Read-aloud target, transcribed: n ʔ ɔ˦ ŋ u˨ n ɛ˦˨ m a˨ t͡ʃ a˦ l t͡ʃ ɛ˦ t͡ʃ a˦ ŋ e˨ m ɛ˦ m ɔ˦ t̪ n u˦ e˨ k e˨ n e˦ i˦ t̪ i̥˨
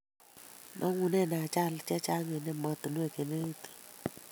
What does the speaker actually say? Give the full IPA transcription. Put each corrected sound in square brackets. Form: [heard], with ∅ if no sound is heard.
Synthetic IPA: n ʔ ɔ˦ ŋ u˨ n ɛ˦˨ [n] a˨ t͡ʃ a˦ l t͡ʃ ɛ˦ t͡ʃ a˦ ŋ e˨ [n] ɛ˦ m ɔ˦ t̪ n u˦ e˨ k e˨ n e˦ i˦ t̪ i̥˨